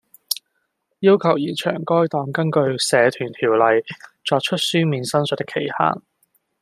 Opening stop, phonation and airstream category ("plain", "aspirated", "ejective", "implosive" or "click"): aspirated